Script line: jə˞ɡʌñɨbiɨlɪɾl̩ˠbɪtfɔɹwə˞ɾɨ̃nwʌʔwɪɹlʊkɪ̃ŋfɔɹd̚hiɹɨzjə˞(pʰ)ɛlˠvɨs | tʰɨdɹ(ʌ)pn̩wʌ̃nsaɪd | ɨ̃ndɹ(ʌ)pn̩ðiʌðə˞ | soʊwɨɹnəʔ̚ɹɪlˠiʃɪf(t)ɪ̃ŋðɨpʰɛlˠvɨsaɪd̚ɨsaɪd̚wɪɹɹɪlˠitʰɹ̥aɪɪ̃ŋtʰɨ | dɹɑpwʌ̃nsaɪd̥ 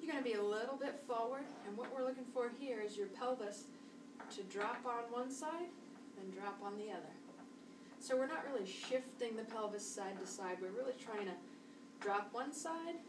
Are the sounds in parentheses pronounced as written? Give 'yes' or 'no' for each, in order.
yes, no, no, yes

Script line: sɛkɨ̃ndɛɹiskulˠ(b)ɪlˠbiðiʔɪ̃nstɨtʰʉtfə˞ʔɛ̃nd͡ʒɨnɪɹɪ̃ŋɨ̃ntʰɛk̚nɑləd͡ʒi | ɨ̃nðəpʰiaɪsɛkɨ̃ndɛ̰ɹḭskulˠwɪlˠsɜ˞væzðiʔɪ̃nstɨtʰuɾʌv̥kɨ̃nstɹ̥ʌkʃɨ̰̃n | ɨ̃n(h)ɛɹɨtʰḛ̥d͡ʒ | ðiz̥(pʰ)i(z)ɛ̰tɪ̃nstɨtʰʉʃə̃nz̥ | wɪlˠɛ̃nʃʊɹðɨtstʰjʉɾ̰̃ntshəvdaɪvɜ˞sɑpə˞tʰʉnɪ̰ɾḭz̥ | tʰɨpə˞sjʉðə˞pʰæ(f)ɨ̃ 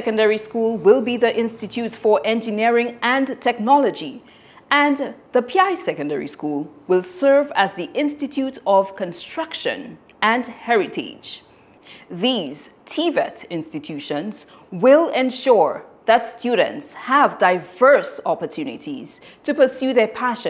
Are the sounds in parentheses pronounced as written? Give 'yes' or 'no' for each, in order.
no, yes, no, no, no

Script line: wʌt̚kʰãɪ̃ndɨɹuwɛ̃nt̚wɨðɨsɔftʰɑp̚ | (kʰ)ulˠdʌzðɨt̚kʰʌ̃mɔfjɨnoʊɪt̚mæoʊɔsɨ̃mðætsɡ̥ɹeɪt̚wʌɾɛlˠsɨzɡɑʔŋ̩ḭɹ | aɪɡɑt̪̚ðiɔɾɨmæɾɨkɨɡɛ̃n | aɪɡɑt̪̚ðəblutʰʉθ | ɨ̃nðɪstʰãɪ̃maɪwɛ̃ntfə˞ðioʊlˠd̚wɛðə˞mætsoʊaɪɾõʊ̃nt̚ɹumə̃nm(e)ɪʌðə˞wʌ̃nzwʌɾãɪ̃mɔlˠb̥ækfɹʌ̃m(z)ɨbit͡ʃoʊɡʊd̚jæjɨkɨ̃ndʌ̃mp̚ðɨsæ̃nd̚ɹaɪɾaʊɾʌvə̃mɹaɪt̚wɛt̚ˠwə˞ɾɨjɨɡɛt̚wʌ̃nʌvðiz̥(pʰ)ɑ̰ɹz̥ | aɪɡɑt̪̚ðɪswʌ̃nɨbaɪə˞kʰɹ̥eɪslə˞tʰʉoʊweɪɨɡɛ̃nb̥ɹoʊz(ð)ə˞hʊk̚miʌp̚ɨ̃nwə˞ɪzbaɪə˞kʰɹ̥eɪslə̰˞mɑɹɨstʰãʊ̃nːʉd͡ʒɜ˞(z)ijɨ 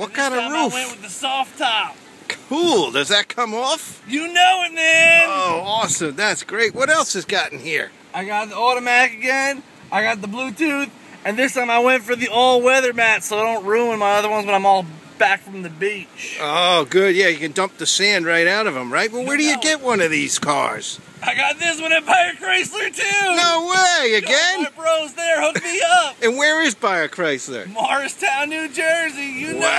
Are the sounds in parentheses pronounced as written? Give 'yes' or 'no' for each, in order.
yes, no, no, no, yes, yes

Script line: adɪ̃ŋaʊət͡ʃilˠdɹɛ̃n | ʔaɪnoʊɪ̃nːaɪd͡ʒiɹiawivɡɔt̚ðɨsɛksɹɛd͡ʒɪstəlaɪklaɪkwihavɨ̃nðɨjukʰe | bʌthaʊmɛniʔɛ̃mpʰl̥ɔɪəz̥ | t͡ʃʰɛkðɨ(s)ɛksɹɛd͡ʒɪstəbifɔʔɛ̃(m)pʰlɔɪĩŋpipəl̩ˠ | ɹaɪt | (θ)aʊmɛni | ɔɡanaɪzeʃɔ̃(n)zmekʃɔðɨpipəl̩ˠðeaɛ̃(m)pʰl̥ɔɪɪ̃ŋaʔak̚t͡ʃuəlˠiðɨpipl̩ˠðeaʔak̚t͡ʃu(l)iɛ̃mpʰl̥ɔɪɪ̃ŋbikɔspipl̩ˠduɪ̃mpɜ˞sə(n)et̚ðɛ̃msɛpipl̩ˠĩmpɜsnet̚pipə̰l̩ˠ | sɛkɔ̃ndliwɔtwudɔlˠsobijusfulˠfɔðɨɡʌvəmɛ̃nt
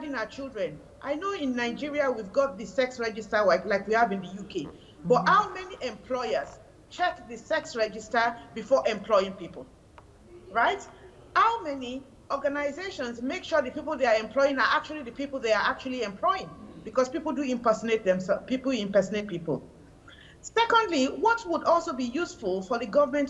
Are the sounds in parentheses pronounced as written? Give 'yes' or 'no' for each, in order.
yes, yes, no, yes, yes, yes, yes

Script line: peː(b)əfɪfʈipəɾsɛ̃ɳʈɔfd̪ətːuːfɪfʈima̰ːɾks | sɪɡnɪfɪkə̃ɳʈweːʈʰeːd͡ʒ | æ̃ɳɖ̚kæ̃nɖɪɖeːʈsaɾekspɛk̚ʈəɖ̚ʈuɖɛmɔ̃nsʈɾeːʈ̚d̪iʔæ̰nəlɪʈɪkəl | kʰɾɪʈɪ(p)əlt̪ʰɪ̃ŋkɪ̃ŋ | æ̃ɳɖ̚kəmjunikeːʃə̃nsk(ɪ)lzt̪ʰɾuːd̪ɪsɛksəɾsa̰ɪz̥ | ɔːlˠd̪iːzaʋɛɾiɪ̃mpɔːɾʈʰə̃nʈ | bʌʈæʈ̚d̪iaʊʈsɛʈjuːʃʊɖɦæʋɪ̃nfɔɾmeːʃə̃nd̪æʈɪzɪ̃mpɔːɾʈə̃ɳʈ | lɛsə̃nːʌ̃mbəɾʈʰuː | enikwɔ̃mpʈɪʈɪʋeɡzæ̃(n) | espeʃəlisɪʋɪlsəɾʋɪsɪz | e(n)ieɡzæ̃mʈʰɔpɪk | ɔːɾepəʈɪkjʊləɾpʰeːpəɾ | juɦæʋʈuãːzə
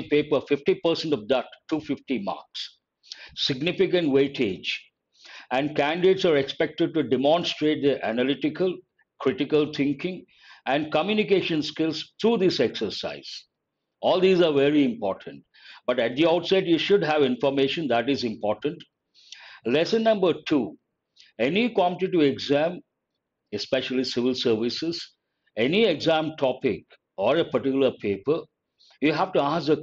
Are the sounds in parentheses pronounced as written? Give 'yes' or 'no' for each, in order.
no, no, yes, no, yes

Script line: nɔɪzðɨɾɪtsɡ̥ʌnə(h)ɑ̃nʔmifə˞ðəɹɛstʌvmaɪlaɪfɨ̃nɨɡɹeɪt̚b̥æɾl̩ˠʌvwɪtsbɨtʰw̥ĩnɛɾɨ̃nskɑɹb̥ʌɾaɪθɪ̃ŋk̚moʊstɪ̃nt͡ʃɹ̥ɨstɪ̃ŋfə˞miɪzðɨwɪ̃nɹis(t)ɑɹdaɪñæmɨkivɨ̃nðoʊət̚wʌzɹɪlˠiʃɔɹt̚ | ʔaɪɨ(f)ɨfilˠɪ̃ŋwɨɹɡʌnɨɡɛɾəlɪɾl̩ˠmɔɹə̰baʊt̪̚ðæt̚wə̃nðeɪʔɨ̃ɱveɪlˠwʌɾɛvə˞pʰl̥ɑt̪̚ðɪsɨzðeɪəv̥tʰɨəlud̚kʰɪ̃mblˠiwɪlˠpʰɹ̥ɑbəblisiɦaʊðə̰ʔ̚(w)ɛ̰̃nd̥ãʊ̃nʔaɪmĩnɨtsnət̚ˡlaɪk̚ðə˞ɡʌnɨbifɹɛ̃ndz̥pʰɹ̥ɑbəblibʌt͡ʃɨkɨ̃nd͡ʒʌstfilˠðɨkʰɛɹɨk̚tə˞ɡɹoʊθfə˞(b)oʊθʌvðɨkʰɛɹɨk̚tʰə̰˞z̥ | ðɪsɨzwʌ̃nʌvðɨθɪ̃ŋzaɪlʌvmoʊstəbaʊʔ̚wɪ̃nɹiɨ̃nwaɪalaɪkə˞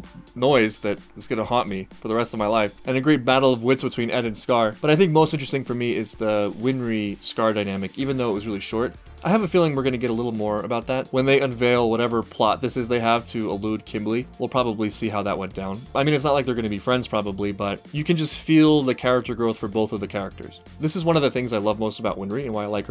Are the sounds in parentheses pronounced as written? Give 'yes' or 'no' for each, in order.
yes, no, no, yes, yes

